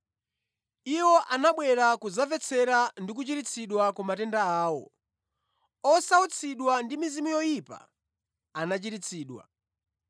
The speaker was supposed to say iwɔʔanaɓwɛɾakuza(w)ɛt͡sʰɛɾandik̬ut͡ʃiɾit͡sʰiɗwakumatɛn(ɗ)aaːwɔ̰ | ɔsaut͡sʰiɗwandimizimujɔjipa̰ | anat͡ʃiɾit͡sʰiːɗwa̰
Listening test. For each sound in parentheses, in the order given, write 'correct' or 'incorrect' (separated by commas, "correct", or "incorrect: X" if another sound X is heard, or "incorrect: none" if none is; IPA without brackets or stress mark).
incorrect: v, incorrect: d